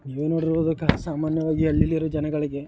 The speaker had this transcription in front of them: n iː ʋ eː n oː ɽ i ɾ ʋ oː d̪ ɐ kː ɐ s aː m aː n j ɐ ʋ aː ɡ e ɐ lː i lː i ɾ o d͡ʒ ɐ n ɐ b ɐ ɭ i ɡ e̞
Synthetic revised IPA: n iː ʋ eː n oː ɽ i ɾ ʋ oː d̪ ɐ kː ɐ s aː m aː n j ɐ ʋ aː ɡ i ɐ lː i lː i ɾ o d͡ʒ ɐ n ɐ ɡ ɐ ɭ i ɡ e̞

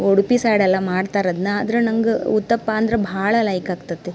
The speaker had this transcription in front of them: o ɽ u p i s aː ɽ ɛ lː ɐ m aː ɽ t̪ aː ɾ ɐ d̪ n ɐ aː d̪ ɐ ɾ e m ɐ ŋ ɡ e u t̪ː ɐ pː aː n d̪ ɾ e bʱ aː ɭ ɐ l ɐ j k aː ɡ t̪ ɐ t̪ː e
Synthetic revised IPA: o ɽ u p i s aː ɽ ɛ lː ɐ m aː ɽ t̪ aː ɾ ɐ d̪ n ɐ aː d̪ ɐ ɾ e n ɐ ŋ ɡ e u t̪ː ɐ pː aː n d̪ ɾ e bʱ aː ɭ ɐ l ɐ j k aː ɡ t̪ ɐ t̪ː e

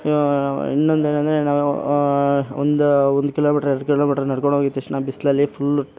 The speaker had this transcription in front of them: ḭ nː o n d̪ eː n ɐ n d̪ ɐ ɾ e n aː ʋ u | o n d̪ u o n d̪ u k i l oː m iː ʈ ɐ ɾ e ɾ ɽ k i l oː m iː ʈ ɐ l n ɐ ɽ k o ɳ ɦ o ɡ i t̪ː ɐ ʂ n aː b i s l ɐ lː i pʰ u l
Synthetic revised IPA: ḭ nː o n d̪ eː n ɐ n d̪ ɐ ɾ e n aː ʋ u | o n d̪ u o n d̪ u k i l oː m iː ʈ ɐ ɾ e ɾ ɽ k i l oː m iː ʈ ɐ ɾ n ɐ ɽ k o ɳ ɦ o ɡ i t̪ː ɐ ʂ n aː b i s l ɐ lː i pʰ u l

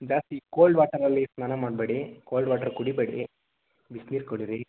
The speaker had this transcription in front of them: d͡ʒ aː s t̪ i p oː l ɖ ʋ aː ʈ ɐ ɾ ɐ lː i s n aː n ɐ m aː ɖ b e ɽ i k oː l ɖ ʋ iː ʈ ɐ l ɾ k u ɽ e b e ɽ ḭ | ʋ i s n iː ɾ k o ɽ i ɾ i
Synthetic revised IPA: d͡ʒ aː s t̪ i k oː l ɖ ʋ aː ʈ ɐ ɾ ɐ lː i s n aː n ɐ m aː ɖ b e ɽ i k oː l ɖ ʋ aː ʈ ɐ ɾ k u ɽ i b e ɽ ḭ | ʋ i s n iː ɾ k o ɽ i ɾ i

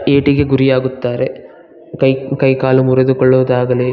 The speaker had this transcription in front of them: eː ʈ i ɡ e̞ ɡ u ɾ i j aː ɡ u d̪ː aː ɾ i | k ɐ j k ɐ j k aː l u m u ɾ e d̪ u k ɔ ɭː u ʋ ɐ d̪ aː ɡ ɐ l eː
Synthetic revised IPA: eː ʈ i ɡ e̞ ɡ u ɾ i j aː ɡ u t̪ː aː ɾ e | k ɐ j k ɐ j k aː l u m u ɾ e d̪ u k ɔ ɭː u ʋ ɐ d̪ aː ɡ ɐ l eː

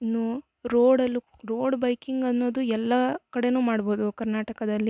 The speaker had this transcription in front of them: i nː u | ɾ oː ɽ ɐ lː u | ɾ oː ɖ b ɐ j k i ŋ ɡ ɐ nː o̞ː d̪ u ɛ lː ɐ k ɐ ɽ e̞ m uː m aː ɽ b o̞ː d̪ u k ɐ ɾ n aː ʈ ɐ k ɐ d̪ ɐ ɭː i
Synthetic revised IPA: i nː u | ɾ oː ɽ ɐ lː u | ɾ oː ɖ b ɐ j k i ŋ ɡ ɐ nː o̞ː d̪ u ɛ lː ɐ k ɐ ɽ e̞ n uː m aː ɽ b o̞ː d̪ u k ɐ ɾ n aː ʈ ɐ k ɐ d̪ ɐ lː i

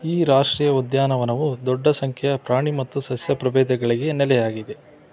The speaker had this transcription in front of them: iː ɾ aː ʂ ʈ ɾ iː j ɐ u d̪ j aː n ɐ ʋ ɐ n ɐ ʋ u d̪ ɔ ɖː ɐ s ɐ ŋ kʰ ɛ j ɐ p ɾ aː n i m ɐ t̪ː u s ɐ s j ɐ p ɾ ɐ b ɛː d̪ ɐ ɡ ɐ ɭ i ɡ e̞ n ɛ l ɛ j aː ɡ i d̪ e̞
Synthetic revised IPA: iː ɾ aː ʂ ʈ ɾ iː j ɐ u d̪ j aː n ɐ ʋ ɐ n ɐ ʋ u d̪ ɔ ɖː ɐ s ɐ ŋ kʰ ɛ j ɐ p ɾ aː ɳ i m ɐ t̪ː u s ɐ s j ɐ p ɾ ɐ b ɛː d̪ ɐ ɡ ɐ ɭ i ɡ e̞ n ɛ l ɛ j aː ɡ i d̪ e̞

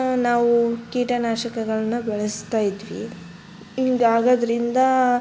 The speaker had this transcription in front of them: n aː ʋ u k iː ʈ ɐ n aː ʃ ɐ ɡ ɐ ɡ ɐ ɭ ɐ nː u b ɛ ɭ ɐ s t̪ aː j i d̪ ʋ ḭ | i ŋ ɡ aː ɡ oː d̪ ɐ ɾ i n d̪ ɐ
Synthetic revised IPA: n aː ʋ u k iː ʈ ɐ n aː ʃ ɐ k ɐ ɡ ɐ ɭ ɐ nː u b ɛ ɭ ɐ s t̪ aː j i d̪ ʋ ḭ | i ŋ ɡ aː ɡ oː d̪ ɐ ɾ i n d̪ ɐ

